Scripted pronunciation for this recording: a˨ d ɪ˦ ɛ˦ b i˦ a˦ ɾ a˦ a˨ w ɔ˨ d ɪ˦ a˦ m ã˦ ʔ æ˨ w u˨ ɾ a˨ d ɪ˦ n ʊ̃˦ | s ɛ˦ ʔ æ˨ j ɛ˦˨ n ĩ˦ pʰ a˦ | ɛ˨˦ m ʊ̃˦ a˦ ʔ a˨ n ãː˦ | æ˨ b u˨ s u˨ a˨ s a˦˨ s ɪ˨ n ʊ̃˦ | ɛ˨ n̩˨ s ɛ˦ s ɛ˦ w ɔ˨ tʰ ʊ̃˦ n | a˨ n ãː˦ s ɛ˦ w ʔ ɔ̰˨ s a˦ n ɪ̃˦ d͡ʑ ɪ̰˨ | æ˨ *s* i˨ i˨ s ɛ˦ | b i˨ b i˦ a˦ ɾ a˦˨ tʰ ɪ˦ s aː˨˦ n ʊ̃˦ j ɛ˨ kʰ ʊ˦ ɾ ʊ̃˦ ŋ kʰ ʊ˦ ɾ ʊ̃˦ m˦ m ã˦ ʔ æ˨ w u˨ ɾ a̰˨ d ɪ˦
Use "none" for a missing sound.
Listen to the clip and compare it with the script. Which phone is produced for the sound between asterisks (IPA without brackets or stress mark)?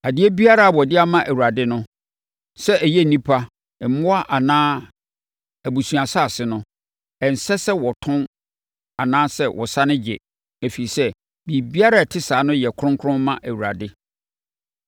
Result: f